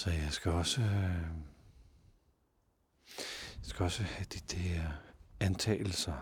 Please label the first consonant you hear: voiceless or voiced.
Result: voiceless